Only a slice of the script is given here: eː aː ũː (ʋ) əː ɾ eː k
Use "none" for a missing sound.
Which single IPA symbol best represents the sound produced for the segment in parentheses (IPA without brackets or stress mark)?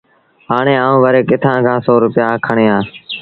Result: ʋ